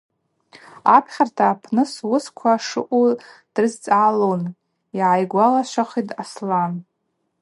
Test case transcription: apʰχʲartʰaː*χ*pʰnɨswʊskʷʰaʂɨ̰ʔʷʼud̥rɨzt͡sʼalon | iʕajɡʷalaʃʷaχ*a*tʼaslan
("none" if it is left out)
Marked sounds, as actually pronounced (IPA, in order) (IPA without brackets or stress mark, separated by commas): none, i